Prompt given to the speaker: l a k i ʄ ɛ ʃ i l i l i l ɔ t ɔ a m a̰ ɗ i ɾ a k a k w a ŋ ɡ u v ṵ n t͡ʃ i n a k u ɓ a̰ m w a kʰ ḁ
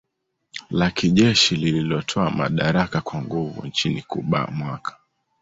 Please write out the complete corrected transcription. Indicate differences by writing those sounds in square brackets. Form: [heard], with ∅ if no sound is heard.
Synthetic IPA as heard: l a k i ʄ ɛ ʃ i l i l i l ɔ [tʰ] ɔ a m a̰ ɗ [a] ɾ a k a k w a ŋ ɡ u v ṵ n t͡ʃ i n [i] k u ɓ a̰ m w a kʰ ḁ